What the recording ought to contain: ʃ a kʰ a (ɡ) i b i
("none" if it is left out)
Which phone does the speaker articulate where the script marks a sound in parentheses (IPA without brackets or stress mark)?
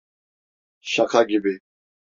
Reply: ɡ